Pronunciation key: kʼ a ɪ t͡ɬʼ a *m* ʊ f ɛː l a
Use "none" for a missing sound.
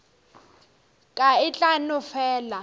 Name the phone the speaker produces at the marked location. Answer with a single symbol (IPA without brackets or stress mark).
n